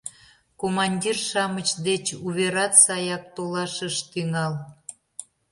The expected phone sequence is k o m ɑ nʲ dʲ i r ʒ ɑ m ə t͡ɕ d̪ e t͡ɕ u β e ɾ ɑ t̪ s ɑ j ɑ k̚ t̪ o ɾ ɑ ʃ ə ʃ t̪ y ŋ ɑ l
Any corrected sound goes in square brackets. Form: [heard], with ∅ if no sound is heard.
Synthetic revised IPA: k o m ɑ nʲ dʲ i r [ʃ] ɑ m ə t͡ɕ d̪ e t͡ɕ u β e ɾ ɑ t̪ s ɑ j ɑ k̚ t̪ o [l] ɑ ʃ ə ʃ t̪ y ŋ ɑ l